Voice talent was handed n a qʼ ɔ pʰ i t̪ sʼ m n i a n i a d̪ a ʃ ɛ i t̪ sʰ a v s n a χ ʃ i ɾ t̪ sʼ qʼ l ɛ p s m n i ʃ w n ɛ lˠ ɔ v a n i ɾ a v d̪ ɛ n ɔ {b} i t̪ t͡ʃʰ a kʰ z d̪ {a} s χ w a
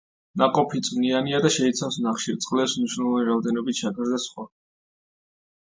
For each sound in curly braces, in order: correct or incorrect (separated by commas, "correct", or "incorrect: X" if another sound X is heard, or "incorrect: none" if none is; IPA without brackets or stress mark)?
correct, correct